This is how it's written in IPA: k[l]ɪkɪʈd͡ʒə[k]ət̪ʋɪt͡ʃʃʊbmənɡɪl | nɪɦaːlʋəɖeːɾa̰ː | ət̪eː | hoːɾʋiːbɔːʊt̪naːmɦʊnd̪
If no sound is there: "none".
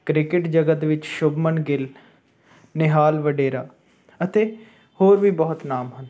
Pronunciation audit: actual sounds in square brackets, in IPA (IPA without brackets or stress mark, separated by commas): ɾ, ɡ